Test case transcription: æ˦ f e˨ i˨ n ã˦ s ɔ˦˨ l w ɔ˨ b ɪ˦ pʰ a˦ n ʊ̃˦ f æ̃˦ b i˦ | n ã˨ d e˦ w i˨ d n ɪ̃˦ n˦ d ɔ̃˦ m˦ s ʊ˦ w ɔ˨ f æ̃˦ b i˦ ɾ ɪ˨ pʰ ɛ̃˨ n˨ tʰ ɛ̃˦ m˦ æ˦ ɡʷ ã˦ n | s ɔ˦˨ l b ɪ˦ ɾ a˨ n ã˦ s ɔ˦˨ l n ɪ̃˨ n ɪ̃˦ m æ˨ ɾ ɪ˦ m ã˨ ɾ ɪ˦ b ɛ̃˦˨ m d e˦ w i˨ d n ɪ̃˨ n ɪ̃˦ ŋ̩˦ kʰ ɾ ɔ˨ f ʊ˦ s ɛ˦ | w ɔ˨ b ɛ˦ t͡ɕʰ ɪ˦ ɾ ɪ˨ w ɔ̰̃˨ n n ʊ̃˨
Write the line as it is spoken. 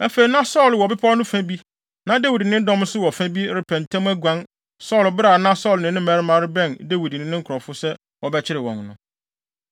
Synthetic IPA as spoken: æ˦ f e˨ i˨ n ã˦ s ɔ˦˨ l w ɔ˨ b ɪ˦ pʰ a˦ n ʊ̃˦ f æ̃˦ b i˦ | n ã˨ d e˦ w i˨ d n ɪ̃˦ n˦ d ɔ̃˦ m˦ s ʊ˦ w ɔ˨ f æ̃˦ b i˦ ɾ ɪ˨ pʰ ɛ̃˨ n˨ tʰ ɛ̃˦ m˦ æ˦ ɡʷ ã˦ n | s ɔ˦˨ l b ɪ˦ ɾ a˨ n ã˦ s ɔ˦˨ l n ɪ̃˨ n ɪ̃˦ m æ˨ ɾ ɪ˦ m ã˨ ɾ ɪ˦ b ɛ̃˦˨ n d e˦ w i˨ d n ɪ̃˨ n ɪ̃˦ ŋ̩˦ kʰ ɾ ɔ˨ f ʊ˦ s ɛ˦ | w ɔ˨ b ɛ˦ t͡ɕʰ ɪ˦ ɾ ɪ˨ w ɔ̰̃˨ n n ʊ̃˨